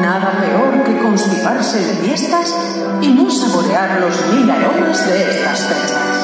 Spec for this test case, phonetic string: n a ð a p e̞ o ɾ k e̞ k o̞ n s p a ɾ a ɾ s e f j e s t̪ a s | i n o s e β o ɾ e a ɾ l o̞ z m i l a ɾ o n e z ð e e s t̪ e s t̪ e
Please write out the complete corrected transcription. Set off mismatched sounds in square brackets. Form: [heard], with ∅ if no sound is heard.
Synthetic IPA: n a ð a p e̞ o ɾ k e̞ k o̞ n s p [i] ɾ a ɾ s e f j e s t̪ a s | i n o s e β o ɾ e a ɾ l o̞ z m i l a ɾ o n e z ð e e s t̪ [a] s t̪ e